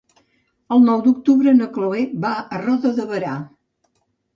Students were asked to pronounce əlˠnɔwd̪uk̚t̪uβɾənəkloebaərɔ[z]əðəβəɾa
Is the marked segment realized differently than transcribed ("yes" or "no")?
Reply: yes